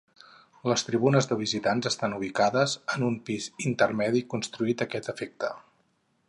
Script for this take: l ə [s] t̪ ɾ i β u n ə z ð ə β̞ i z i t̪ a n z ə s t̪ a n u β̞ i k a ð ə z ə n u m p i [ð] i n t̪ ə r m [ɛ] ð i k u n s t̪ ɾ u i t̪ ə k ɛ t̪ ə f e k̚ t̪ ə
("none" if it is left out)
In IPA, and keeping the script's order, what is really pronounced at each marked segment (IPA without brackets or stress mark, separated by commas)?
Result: s, z, ɛ